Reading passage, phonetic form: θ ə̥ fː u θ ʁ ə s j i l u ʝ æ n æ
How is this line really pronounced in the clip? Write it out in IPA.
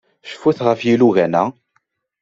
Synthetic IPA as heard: ʃ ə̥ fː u θ ʁ ə f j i l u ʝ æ n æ